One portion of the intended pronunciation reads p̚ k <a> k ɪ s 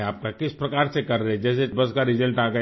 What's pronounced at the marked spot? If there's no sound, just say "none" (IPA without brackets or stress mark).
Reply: a